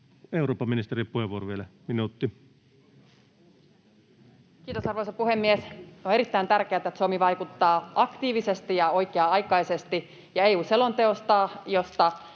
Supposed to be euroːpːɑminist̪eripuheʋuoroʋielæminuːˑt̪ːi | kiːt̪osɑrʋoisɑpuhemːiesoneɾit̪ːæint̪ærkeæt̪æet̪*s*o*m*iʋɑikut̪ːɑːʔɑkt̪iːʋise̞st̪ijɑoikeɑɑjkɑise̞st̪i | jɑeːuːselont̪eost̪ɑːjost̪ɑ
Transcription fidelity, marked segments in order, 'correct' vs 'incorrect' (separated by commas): correct, correct